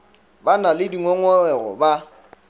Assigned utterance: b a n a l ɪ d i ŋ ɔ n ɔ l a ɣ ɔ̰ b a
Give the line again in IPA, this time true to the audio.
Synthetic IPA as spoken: b a n a l ɪ d i ŋ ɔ ŋ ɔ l ɛ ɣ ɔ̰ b a